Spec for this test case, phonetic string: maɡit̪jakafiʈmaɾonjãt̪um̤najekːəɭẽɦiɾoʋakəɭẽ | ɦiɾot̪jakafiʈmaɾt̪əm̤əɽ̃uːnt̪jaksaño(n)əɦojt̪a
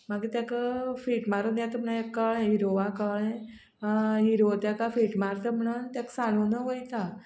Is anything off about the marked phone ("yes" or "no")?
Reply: no